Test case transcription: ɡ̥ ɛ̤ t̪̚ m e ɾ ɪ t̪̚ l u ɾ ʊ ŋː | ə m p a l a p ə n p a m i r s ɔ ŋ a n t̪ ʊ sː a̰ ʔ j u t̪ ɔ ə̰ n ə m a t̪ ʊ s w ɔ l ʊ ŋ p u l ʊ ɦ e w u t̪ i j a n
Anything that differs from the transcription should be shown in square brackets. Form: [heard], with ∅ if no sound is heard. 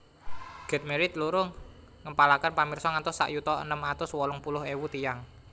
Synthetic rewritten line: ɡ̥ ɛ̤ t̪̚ m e ɾ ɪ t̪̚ l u ɾ ʊ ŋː | ə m p a l a [k] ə n p a m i r s ɔ ŋ a n t̪ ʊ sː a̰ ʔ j u t̪ ɔ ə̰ n ə m a t̪ ʊ s w ɔ l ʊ ŋ p u l ʊ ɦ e w u t̪ i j a [ŋ]